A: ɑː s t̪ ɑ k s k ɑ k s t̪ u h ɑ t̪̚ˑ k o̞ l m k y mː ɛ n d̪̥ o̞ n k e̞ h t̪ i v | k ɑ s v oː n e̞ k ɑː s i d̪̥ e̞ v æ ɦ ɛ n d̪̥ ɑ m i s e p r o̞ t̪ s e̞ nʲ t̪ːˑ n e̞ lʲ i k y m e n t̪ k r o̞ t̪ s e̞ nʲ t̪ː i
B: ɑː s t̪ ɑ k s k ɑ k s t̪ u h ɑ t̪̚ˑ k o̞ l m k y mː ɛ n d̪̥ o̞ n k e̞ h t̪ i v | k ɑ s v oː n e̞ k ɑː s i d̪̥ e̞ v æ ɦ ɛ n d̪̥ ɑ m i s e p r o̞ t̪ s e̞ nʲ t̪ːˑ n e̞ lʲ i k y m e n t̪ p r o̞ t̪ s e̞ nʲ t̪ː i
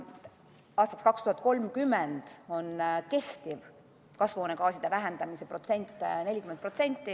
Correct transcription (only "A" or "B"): B